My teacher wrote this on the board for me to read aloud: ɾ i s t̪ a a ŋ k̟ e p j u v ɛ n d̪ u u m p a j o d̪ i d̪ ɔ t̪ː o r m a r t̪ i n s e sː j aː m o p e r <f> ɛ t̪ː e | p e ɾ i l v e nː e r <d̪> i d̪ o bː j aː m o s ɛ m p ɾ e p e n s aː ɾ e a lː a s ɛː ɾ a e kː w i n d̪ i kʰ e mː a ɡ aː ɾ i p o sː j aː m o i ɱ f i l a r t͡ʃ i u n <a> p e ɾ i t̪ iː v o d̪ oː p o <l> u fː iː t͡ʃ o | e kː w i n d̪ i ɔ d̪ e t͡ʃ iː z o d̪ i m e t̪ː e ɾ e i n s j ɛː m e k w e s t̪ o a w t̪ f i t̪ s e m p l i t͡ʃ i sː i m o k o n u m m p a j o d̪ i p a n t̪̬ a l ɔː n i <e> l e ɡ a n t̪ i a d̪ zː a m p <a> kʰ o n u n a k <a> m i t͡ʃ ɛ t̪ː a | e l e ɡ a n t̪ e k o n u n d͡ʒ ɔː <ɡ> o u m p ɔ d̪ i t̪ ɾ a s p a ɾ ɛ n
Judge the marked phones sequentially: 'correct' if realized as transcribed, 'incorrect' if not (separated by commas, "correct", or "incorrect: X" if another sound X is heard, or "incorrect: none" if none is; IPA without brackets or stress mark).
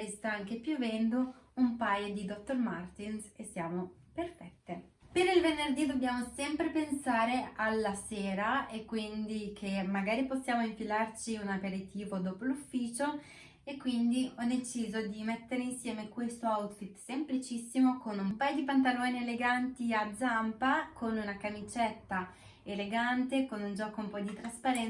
correct, correct, correct, correct, correct, correct, correct, incorrect: k